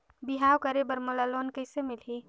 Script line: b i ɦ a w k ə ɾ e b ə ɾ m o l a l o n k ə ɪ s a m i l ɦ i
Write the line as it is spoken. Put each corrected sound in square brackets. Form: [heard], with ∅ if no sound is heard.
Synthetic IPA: b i ɦ a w k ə ɾ e b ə ɾ m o l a l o n k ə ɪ s [e] m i l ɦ i